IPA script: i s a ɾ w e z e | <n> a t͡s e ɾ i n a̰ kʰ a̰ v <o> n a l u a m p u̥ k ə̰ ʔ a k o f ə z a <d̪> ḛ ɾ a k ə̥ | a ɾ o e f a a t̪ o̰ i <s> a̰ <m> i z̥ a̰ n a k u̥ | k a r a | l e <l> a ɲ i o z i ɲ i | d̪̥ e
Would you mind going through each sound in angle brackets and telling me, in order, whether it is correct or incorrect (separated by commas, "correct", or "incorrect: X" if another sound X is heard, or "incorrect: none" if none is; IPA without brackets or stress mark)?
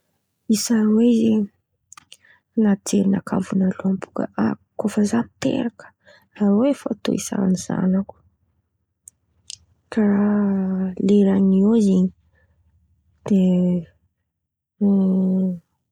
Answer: correct, incorrect: u, incorrect: t̪, correct, incorrect: n, incorrect: ɾ